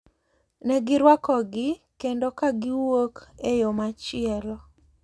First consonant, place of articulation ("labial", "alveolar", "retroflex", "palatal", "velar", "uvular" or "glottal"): alveolar